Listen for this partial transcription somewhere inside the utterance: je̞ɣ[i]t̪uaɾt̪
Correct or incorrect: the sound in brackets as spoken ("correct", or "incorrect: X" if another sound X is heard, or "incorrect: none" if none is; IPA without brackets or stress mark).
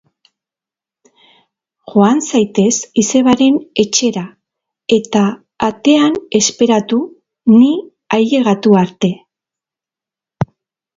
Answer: incorrect: a